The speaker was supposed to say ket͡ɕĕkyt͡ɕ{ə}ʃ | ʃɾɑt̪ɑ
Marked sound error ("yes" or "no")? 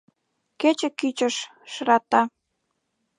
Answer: no